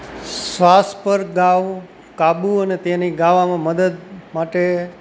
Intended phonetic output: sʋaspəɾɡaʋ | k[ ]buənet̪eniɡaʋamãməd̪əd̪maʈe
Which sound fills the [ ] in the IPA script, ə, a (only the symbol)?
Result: a